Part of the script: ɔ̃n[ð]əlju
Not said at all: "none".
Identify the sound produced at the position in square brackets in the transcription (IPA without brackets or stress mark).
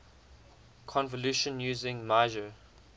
v